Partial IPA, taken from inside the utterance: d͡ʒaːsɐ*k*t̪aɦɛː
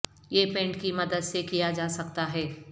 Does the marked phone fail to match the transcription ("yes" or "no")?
no